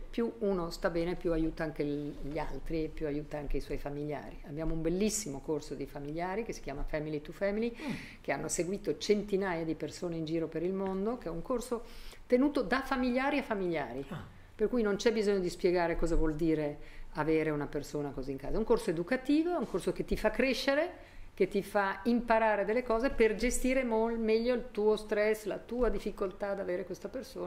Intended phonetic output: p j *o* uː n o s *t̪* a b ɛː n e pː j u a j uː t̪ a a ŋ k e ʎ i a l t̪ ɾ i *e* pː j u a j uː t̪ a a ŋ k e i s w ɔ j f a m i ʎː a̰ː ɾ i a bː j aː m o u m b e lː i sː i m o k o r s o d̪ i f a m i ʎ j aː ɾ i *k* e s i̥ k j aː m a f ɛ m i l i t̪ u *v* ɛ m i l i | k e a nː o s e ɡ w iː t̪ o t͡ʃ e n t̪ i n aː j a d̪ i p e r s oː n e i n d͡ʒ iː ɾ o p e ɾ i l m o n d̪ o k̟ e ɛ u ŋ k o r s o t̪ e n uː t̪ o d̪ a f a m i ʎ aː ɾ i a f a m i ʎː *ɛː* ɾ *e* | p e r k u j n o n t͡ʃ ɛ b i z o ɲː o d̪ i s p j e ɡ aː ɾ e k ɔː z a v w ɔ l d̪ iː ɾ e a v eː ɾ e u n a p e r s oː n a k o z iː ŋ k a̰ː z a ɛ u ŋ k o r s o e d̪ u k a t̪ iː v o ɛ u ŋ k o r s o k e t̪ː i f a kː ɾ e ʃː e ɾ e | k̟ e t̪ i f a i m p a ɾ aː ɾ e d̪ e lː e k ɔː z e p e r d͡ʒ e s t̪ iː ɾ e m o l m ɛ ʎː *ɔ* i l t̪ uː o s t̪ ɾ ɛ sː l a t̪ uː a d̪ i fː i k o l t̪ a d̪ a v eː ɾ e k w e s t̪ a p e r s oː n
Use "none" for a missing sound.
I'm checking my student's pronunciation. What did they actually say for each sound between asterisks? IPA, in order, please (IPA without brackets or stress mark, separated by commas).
u, t̪, e, k, f, aː, i, o